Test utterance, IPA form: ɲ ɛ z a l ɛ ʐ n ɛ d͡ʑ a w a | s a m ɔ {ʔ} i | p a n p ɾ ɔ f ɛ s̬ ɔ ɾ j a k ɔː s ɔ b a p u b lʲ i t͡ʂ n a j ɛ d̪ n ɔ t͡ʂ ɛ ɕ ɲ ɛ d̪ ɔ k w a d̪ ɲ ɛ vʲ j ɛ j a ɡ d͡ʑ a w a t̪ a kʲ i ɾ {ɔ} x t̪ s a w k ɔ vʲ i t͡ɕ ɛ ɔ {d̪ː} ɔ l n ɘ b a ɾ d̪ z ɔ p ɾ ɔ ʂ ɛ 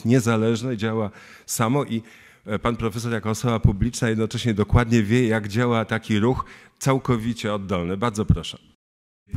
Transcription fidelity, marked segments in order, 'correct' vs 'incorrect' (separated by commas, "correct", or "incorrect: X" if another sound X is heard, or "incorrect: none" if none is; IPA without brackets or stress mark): correct, incorrect: u, correct